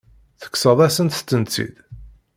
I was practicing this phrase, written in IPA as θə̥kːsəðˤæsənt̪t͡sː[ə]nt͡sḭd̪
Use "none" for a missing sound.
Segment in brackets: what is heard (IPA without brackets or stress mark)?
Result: ə